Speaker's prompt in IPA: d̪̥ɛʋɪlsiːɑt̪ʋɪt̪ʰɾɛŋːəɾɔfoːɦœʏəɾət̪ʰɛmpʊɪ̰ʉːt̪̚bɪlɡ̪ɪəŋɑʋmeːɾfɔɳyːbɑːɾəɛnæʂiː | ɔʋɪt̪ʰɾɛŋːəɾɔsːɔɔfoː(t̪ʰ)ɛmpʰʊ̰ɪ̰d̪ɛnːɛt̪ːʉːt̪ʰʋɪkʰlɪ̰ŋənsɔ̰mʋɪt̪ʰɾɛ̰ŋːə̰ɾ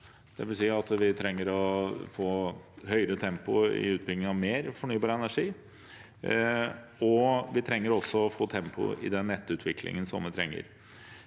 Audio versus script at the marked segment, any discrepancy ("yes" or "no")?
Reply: no